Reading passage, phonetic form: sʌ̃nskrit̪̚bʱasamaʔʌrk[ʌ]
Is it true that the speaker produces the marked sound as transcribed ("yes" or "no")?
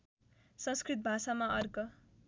yes